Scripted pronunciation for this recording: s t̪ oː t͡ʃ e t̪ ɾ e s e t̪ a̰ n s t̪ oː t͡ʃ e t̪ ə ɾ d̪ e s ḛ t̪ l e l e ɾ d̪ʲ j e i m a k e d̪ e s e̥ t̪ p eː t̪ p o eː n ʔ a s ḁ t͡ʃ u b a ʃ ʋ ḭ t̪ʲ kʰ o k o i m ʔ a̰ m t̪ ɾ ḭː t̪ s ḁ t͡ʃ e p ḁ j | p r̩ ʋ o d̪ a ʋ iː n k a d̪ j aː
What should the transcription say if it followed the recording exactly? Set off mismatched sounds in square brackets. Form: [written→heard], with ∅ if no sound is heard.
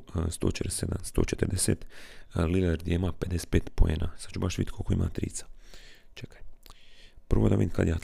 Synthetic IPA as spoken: s t̪ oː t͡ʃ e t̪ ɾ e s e [t̪→d̪] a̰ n s t̪ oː t͡ʃ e t̪ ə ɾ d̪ e s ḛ t̪ l [e→i] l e ɾ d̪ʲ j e i m a [k→p] e d̪ e s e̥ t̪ p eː t̪ p o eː n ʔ a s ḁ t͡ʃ u b a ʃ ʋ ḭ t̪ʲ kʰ o k o i m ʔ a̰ [m→∅] t̪ ɾ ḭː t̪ s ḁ t͡ʃ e [p→k] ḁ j | p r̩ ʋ o d̪ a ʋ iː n k a d̪ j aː